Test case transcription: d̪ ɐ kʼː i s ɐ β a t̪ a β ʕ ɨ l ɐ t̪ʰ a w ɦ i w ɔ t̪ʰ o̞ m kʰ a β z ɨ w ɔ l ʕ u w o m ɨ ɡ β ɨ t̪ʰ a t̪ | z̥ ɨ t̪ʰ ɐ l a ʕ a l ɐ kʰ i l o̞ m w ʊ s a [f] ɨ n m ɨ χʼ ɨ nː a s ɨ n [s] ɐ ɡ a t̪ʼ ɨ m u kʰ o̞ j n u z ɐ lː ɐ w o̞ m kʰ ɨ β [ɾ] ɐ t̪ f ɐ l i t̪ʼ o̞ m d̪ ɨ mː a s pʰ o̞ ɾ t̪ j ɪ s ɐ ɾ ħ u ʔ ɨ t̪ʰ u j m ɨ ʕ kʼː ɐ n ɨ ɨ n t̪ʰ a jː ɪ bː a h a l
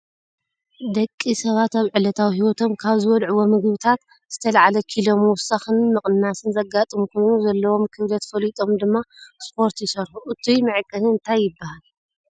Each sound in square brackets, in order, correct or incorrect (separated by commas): incorrect, incorrect, incorrect